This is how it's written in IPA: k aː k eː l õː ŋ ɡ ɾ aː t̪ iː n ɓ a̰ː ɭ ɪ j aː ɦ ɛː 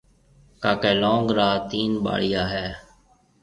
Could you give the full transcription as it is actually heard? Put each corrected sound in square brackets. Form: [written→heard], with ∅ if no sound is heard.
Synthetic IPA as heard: k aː k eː l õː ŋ ɡ ɾ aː t̪ iː n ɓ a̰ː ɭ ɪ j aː ɦ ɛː